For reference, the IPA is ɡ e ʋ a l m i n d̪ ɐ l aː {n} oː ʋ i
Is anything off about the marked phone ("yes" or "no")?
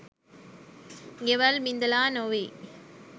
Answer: no